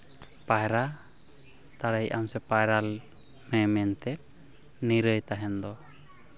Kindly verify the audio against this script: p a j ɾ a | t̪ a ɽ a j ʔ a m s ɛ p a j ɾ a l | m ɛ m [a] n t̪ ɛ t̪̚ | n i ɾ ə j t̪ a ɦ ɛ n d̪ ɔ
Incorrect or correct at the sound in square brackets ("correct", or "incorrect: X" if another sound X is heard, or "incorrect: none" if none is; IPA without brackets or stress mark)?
incorrect: ɛ